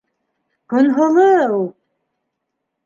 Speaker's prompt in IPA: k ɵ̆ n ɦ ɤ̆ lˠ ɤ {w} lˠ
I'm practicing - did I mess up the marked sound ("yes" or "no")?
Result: yes